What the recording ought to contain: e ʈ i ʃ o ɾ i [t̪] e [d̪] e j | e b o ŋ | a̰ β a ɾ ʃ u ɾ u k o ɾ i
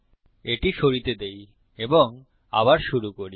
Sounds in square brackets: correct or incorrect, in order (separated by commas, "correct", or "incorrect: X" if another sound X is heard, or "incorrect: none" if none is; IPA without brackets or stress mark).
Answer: correct, correct